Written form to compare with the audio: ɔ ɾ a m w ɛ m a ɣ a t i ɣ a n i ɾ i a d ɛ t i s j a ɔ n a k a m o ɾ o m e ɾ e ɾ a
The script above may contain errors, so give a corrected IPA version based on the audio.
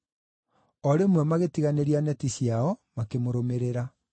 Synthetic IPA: ɔ ɾ e m w ɛ m a ɣ e t i ɣ a n e ɾ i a n ɛ t i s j a ɔ m a k e m o ɾ o m e ɾ e ɾ a